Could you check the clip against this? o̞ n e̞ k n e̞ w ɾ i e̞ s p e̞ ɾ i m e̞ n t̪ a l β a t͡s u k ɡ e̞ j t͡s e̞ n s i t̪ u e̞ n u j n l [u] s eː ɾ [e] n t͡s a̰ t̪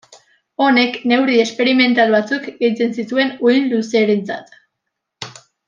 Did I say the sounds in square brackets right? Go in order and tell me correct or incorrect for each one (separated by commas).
correct, correct